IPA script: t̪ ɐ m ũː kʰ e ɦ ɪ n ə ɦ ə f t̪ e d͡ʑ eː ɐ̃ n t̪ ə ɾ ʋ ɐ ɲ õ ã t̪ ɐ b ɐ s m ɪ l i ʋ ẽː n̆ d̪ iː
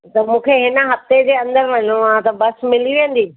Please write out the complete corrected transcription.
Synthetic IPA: t̪ ɐ m ũː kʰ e ɦ ɪ n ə ɦ ɐ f t̪ e d͡ʑ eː ɐ̃ n d̪ ə ɾ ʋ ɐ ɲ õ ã t̪ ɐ b ɐ s m ɪ l i ʋ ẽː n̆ d̪ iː